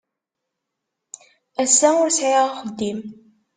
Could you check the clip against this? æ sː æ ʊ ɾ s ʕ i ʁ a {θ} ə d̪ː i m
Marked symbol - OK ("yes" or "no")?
no